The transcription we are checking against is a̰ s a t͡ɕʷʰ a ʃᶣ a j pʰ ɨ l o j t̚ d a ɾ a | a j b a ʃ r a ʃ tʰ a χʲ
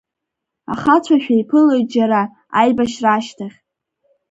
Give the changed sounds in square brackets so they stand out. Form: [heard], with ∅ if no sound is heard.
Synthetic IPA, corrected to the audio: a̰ [χ] a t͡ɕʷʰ a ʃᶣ a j pʰ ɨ l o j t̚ [d͡ʒ] a ɾ a | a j b a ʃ r a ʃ tʰ a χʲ